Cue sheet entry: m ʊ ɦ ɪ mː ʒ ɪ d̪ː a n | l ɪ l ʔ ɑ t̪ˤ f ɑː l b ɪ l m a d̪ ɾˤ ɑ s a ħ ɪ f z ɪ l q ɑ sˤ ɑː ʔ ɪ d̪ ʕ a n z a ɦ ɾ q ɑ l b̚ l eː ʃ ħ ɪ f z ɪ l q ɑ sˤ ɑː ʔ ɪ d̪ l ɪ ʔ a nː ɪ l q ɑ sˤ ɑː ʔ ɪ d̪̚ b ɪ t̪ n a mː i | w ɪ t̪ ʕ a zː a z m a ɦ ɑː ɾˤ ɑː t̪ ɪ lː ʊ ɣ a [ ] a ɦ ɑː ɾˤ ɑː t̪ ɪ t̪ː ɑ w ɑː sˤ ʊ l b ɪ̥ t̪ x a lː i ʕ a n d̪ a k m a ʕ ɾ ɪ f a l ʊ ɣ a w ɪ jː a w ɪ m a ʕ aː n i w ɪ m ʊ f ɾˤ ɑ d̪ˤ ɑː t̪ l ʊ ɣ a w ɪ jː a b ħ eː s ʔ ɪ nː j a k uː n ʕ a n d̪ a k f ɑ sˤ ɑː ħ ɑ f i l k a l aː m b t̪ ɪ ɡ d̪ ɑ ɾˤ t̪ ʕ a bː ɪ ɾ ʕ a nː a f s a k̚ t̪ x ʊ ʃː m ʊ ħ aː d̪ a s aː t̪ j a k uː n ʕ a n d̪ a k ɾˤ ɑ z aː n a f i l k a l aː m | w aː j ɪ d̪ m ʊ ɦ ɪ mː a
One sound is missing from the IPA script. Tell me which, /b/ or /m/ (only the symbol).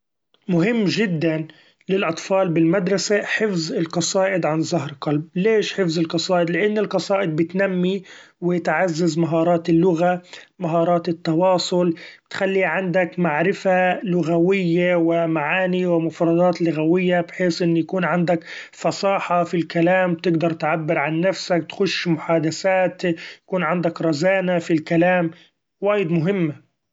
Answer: m